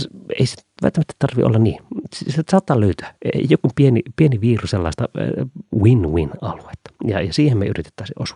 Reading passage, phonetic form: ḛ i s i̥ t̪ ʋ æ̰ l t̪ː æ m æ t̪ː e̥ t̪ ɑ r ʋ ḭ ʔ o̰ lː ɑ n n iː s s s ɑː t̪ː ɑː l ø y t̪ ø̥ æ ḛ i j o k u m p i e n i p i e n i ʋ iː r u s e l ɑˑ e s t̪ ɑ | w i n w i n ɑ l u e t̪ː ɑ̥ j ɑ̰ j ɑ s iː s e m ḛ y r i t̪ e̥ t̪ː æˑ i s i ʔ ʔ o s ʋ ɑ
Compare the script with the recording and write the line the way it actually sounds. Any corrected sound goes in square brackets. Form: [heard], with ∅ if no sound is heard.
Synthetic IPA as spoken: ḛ i s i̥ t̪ ʋ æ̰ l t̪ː æ m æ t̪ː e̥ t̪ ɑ r ʋ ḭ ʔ o̰ lː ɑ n n iː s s s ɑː t̪ː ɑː l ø y t̪ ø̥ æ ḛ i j o k u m p i e n i p i e n i ʋ iː r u s e [lː] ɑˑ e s t̪ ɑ | w i n w i n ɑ l u e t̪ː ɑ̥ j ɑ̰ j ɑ s iː [h] e m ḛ y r i t̪ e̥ t̪ː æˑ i s i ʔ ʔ o s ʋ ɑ